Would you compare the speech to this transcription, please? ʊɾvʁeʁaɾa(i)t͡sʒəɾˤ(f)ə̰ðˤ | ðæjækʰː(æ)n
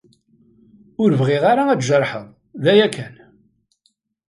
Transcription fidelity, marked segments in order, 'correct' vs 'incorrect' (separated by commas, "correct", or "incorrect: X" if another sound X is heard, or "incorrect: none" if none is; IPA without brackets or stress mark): incorrect: æ, incorrect: ħ, correct